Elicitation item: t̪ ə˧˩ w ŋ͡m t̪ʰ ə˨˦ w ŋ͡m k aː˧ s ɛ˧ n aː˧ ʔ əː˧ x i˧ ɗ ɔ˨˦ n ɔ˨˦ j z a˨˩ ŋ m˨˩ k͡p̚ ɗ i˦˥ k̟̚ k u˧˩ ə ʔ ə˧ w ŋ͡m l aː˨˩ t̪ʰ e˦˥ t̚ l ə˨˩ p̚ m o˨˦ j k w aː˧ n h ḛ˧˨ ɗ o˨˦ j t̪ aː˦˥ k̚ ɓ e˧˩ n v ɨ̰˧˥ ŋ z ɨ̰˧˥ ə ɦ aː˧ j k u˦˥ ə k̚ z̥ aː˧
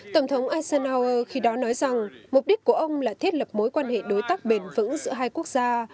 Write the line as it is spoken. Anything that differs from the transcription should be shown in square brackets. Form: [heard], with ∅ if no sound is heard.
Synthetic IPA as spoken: t̪ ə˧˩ w ŋ͡m t̪ʰ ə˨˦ w ŋ͡m [ʔ] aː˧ s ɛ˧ n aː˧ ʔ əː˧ x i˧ ɗ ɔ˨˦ n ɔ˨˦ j z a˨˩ ŋ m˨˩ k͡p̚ ɗ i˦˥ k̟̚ k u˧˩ ə ʔ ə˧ w ŋ͡m l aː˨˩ t̪ʰ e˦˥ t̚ l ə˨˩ p̚ m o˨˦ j k w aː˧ n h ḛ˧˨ ɗ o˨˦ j t̪ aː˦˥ k̚ ɓ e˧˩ n v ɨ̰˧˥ ŋ z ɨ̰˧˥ ə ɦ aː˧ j k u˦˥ ə k̚ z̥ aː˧

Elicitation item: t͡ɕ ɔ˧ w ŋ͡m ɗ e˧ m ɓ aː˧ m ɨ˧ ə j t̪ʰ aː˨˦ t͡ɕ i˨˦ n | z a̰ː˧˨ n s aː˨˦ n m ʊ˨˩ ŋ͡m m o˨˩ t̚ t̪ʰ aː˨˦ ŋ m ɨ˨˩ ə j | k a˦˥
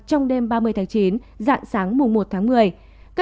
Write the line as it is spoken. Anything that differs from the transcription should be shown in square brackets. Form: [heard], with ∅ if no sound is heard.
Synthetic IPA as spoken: t͡ɕ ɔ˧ w ŋ͡m ɗ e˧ m ɓ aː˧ m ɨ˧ ə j t̪ʰ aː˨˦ t͡ɕ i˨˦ n | z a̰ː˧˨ n s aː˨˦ [ŋ] m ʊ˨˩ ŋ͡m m o˨˩ t̚ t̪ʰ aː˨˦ ŋ m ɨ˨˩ ə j | k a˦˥

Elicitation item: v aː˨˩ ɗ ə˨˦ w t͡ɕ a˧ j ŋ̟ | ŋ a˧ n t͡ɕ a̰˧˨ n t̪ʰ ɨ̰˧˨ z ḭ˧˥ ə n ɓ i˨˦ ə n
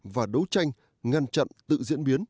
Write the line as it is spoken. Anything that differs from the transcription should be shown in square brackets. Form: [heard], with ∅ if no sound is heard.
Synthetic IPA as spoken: v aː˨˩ ɗ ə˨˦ w t͡ɕ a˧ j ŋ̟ | ŋ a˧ n t͡ɕ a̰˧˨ n [t̪] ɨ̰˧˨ z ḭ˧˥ ə n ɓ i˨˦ ə n

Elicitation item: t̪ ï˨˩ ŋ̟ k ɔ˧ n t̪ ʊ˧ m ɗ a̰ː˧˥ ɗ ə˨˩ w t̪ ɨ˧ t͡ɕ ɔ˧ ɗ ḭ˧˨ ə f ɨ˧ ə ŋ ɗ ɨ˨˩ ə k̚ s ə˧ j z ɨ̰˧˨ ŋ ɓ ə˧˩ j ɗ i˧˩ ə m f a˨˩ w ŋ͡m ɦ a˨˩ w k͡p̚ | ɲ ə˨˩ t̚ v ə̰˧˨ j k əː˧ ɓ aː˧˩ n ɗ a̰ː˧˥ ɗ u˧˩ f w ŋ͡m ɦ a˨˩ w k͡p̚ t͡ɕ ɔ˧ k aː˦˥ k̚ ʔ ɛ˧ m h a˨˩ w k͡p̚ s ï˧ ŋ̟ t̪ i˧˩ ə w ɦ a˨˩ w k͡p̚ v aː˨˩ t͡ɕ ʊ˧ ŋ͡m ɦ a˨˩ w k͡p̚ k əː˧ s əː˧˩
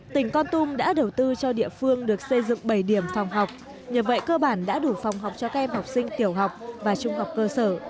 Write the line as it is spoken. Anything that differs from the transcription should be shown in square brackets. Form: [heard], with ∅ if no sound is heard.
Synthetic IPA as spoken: t̪ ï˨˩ ŋ̟ k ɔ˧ n t̪ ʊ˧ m ɗ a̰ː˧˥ ɗ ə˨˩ w t̪ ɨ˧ t͡ɕ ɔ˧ ɗ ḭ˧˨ ə f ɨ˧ ə ŋ ɗ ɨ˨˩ ə k̚ s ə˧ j z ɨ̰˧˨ ŋ ɓ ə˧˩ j ɗ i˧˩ ə m f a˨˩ w ŋ͡m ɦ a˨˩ w k͡p̚ | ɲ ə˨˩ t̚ v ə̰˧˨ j k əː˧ ɓ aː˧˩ n ɗ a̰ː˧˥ ɗ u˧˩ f w ŋ͡m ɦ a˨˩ w k͡p̚ t͡ɕ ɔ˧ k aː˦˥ k̚ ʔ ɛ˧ m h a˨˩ w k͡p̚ s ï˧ ŋ̟ t̪ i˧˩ ə w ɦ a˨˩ w k͡p̚ v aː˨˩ t͡ɕ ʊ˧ ŋ͡m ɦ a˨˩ w k͡p̚ k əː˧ s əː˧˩

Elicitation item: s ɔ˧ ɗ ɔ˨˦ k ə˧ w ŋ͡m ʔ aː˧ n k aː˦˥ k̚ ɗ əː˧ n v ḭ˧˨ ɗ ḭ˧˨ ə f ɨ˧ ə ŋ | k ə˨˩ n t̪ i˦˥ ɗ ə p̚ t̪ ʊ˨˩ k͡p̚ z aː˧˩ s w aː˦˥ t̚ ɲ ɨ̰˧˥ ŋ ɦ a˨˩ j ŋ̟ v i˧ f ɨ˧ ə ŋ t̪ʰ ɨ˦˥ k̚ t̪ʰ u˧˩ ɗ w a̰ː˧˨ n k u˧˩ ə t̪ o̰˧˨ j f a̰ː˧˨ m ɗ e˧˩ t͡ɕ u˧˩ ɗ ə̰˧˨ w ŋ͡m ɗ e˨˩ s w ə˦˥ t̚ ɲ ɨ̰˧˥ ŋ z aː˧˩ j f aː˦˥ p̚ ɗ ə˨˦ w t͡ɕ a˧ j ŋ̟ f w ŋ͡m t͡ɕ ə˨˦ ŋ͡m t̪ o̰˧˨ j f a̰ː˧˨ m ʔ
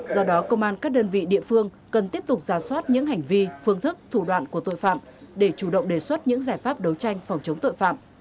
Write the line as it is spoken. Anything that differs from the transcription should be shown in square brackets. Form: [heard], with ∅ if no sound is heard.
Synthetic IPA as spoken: [z] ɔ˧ ɗ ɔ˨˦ k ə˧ w ŋ͡m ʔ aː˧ n k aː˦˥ k̚ ɗ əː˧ n v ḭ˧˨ ɗ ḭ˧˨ ə f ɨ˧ ə ŋ | k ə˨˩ n t̪ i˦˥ [∅] ə p̚ t̪ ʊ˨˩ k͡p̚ z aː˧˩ s w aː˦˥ t̚ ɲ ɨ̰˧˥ ŋ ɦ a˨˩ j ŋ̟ v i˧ f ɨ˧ ə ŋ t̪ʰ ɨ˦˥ k̚ t̪ʰ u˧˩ ɗ w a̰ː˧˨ n k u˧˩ ə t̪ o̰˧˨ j f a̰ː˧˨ m ɗ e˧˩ t͡ɕ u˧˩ ɗ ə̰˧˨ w ŋ͡m ɗ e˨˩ s w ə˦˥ t̚ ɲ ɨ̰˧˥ ŋ z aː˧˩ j f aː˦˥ p̚ ɗ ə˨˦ w t͡ɕ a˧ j ŋ̟ f w ŋ͡m t͡ɕ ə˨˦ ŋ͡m t̪ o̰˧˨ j f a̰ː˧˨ m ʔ

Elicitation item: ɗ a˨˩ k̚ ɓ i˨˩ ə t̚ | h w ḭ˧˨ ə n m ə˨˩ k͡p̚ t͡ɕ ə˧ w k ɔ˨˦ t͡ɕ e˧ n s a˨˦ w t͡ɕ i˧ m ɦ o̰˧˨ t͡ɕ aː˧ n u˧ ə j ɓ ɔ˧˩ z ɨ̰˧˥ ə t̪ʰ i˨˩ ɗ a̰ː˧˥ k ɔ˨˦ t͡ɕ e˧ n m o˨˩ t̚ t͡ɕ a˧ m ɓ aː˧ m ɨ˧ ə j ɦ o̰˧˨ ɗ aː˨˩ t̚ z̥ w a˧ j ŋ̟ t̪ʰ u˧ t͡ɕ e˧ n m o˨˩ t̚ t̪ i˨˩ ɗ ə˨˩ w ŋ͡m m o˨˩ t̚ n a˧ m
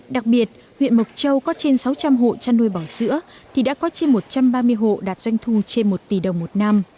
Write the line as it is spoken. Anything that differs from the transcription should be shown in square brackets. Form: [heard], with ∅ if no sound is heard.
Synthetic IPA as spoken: ɗ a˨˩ k̚ ɓ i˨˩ ə t̚ | h w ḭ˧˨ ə n m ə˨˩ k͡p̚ t͡ɕ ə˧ w k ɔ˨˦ t͡ɕ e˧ n s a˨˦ w t͡ɕ [a˧] m ɦ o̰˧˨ t͡ɕ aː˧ n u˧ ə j ɓ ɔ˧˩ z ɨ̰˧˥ ə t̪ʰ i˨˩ ɗ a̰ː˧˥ k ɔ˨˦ t͡ɕ e˧ n m o˨˩ t̚ t͡ɕ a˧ m ɓ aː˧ m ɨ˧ ə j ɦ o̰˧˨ ɗ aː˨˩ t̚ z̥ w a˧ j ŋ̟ t̪ʰ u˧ t͡ɕ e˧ n m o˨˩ t̚ t̪ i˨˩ ɗ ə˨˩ w ŋ͡m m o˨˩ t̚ n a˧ m

